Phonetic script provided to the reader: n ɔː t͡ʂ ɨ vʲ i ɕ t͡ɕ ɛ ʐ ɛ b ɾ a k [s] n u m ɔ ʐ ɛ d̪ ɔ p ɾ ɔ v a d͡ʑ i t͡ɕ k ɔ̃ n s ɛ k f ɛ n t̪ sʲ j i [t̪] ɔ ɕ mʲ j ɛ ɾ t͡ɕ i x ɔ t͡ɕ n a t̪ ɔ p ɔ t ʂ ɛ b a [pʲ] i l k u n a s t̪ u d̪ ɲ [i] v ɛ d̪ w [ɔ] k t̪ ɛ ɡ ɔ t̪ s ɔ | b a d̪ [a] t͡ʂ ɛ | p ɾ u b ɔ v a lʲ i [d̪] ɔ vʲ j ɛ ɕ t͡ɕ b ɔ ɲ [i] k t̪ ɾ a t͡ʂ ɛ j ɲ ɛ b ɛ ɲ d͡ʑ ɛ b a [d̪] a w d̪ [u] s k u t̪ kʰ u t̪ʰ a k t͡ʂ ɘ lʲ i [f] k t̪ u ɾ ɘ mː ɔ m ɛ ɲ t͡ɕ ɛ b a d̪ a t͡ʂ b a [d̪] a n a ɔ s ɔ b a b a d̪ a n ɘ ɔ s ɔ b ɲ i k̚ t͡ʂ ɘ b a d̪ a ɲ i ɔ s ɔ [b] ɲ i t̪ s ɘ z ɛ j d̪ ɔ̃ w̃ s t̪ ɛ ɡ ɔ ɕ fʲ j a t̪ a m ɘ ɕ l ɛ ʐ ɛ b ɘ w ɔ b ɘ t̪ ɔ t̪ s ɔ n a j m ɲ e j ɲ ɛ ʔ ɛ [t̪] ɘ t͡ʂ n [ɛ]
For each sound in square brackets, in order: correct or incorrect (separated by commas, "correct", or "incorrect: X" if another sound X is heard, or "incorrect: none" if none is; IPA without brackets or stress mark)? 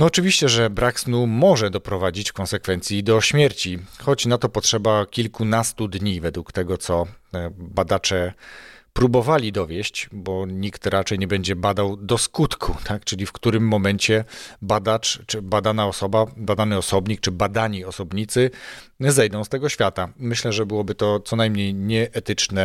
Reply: correct, incorrect: d̪, incorrect: kʲ, correct, incorrect: u, correct, correct, correct, correct, incorrect: ɔ, correct, correct, correct, correct, correct